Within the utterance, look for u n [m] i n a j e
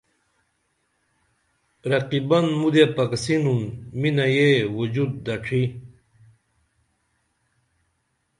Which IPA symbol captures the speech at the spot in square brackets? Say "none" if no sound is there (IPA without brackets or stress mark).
m